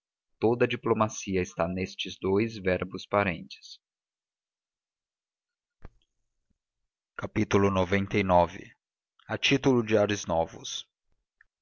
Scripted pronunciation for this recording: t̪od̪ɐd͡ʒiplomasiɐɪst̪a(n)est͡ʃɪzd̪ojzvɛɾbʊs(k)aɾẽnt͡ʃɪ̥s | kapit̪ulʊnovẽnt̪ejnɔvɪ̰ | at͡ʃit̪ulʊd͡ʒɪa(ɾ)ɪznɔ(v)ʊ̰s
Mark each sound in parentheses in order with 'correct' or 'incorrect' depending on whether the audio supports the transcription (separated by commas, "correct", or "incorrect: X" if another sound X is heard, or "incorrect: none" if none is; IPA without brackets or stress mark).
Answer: correct, incorrect: p, correct, correct